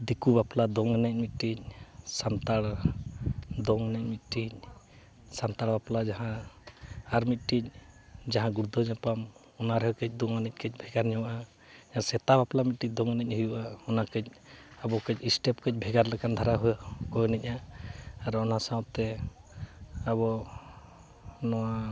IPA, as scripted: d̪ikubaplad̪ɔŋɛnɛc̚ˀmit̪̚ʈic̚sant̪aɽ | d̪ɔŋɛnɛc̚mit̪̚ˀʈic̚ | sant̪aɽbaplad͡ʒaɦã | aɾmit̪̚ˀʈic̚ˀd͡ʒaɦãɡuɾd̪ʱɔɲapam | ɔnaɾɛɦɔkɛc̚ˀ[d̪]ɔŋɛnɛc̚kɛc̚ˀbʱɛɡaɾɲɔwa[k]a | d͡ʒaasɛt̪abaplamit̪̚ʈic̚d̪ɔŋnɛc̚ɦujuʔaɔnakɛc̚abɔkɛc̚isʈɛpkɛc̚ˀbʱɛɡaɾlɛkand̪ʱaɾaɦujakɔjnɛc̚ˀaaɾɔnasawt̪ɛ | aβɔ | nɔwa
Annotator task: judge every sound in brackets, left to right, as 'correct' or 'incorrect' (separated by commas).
correct, incorrect